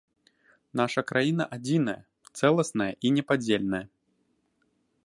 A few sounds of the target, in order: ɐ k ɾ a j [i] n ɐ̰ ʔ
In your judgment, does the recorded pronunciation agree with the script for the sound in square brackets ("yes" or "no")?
yes